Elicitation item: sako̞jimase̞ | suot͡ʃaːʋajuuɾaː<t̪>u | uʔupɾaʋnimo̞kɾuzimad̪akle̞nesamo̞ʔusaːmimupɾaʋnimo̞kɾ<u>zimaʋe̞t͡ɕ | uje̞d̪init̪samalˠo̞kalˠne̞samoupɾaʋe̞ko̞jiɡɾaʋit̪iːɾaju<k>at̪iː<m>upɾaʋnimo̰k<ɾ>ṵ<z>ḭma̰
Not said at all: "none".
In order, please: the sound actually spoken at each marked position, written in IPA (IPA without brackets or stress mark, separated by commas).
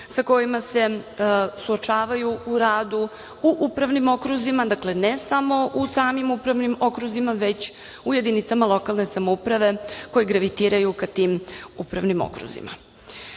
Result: d̪, u, k, m, ɾ, z